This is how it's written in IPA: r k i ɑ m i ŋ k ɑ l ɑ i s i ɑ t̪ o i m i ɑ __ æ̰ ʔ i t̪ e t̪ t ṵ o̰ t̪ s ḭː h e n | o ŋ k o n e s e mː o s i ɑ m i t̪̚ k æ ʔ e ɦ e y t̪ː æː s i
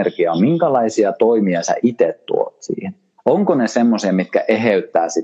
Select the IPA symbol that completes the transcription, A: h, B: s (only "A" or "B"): B